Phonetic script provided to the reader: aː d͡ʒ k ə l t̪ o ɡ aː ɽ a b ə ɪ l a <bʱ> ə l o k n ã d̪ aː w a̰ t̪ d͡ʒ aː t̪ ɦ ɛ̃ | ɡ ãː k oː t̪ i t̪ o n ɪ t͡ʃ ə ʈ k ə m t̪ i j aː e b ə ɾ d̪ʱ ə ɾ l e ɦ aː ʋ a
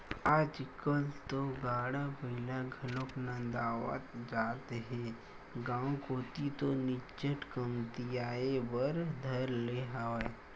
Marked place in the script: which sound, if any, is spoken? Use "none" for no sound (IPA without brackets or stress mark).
ɡʱ